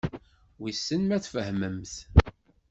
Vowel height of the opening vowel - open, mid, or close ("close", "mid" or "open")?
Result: close